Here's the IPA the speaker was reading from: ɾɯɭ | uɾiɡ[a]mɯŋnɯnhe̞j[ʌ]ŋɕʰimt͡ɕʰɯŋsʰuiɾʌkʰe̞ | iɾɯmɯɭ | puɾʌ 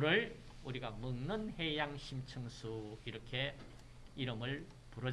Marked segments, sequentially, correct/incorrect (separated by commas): correct, incorrect